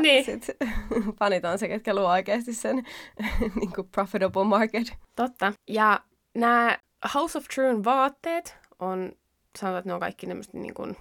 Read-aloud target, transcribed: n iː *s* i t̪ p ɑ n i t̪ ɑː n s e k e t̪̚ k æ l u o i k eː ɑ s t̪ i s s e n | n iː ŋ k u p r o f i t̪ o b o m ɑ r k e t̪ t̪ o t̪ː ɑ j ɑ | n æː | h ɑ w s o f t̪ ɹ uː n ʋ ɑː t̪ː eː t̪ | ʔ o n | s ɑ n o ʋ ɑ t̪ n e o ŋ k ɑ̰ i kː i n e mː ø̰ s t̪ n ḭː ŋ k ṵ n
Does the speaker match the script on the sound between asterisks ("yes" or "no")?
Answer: yes